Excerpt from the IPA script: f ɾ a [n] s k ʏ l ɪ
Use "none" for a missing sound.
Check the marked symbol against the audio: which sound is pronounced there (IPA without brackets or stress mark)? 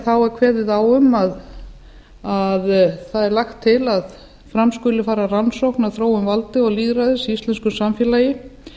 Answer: m